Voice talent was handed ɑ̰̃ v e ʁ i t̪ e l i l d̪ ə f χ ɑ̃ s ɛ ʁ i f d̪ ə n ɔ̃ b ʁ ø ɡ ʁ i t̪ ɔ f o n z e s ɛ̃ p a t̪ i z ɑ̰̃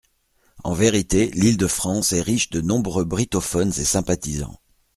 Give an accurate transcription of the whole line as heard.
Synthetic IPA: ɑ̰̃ v e ʁ i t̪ e l i l d̪ ə f χ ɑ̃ s ɛ ʁ i ʃ d̪ ə n ɔ̃ b ʁ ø b ʁ i t̪ ɔ f ɔ n z e s ɛ̃ p a t̪ i z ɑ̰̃